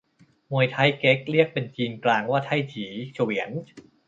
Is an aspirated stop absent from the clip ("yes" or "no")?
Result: no